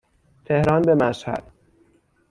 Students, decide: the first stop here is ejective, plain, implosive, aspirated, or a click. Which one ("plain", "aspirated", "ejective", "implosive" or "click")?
aspirated